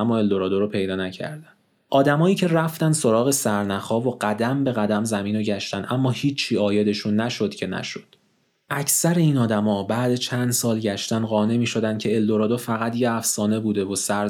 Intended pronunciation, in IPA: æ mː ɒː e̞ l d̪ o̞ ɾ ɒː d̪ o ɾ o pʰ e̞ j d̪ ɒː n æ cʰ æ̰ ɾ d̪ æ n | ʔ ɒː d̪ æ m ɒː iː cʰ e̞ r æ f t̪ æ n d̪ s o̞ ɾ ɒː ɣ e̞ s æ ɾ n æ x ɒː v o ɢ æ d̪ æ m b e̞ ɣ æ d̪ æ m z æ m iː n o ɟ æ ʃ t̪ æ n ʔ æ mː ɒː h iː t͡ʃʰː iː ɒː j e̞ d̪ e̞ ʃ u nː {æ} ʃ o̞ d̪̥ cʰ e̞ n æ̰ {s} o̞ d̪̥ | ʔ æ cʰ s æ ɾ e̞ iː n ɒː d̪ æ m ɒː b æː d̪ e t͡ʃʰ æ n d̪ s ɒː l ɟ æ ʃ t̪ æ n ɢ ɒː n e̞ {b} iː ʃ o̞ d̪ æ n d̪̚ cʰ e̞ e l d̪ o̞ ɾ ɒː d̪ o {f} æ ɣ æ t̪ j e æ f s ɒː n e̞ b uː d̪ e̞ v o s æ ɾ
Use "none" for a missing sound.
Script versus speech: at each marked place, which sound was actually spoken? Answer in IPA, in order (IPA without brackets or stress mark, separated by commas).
æ, ʃ, m, f